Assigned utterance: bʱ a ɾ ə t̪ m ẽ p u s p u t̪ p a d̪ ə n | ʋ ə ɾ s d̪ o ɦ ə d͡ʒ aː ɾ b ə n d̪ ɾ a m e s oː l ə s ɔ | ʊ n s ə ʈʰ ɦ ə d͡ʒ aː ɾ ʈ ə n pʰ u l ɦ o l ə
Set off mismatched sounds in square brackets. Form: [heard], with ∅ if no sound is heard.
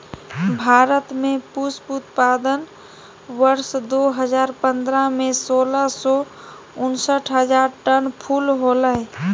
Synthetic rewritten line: bʱ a ɾ ə t̪ m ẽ p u s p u t̪ p a d̪ ə n | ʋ ə ɾ s d̪ o ɦ ə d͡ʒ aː ɾ [p] ə n d̪ ɾ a m e s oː l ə s ɔ | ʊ n s ə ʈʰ ɦ ə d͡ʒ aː ɾ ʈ ə n pʰ u l ɦ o l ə